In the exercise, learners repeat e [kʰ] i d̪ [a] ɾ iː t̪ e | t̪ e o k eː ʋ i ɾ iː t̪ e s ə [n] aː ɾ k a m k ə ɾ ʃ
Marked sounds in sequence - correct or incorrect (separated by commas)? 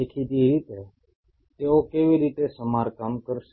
correct, incorrect, incorrect